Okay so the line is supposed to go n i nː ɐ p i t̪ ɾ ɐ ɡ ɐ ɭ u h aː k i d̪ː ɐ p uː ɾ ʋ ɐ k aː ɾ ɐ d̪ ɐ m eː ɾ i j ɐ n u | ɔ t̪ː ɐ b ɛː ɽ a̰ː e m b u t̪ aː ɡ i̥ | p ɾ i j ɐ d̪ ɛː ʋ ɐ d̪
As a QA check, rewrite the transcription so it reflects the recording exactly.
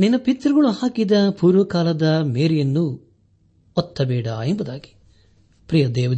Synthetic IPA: n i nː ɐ p i t̪ ɾ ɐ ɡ ɐ ɭ u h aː k i d̪ ɐ p uː ɾ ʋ ɐ k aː l ɐ d̪ ɐ m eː ɾ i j ɐ nː u | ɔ t̪ː ɐ b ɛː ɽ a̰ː e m b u d̪ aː ɡ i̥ | p ɾ i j ɐ d̪ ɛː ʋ ɐ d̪